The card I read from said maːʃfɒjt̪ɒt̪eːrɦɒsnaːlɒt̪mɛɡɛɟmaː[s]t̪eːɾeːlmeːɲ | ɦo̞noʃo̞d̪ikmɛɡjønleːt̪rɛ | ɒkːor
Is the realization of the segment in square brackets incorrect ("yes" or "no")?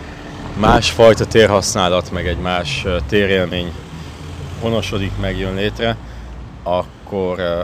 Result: yes